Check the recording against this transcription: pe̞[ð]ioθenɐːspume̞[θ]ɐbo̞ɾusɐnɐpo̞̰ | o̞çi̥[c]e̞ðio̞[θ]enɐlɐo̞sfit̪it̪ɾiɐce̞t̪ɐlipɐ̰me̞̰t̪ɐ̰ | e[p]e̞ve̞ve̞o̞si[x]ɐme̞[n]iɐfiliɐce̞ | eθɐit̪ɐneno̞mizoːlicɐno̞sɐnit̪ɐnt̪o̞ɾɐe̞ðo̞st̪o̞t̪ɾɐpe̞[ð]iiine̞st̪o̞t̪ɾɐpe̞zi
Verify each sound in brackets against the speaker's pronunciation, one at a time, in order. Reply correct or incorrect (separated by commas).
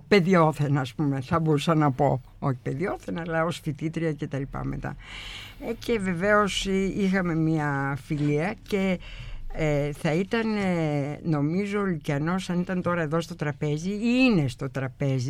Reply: correct, correct, incorrect, correct, incorrect, correct, incorrect, incorrect